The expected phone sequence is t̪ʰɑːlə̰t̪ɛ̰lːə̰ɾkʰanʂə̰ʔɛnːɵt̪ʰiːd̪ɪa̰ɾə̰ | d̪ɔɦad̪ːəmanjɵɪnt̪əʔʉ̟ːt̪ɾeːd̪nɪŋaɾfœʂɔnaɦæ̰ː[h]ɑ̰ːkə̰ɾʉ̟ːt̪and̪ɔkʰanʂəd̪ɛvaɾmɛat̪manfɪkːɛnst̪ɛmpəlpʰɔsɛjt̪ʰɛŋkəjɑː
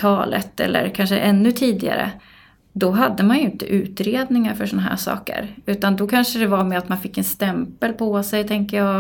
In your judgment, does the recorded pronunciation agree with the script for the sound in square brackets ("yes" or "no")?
no